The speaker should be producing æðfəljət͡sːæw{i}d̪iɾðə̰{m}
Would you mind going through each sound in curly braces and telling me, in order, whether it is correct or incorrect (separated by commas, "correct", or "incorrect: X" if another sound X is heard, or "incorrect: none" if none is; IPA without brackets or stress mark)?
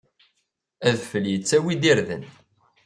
correct, incorrect: n